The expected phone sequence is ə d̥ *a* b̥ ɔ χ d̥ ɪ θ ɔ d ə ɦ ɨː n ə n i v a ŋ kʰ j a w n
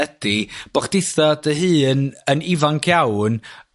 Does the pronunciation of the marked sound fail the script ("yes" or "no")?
yes